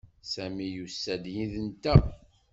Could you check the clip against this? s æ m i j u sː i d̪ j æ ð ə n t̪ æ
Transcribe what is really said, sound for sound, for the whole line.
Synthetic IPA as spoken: s æ m i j u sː æ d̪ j i ð ə n t̪ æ